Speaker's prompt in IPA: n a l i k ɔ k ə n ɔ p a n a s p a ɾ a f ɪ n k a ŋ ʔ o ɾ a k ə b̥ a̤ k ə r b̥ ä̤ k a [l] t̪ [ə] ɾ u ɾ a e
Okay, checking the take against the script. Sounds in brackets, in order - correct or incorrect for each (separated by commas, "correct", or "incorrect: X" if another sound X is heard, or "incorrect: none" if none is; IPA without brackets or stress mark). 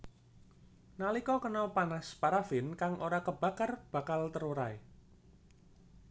correct, correct